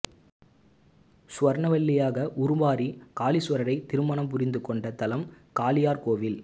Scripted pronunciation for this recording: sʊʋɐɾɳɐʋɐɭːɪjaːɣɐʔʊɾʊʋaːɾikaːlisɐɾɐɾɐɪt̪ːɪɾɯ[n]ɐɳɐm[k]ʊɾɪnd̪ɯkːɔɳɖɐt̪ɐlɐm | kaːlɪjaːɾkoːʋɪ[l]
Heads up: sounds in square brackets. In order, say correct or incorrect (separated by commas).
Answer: incorrect, incorrect, correct